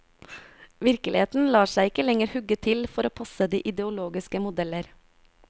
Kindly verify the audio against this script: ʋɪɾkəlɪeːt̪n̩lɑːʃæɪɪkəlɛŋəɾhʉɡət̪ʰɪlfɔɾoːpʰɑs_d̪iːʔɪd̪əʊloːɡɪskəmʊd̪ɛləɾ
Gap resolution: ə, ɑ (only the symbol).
ə